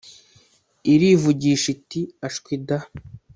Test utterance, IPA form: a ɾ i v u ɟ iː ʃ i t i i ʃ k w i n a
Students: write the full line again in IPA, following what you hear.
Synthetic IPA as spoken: i ɾ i v u ɟ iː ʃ i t i a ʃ k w i d a